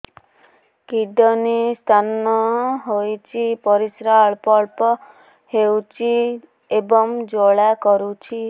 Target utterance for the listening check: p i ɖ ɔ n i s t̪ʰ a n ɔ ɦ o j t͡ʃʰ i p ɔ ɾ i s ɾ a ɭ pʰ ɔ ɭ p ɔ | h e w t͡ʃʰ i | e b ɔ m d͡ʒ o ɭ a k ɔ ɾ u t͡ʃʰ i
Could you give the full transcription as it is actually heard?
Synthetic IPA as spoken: k i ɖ ɔ n i s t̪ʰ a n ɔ ɦ o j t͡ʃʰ i p ɔ ɾ i s ɾ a ɭ p ɔ ɭ p ɔ | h e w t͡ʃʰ i | e b ɔ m d͡ʒ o ɭ a k ɔ ɾ u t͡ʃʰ i

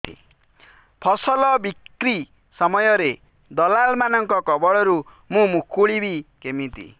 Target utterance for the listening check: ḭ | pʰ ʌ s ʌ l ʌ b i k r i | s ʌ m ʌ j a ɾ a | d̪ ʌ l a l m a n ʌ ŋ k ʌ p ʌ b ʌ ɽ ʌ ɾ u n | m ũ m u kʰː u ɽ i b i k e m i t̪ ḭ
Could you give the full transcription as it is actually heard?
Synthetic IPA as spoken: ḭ | pʰ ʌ s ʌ l ʌ b i k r i | s ʌ m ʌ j ʌ ɾ e | d̪ ʌ l a l m a n ʌ ŋ k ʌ k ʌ b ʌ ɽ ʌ ɾ u | m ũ m u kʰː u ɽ i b i k e m i t̪ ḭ

